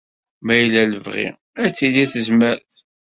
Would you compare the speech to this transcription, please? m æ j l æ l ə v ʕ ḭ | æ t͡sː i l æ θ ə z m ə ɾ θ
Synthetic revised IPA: m æ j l æ l ə v ʁ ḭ | æ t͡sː i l i θ ə z m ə ɾ θ